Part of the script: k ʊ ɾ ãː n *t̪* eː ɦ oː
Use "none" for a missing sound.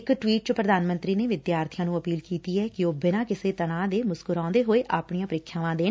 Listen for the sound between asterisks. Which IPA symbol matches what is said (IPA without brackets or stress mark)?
d̪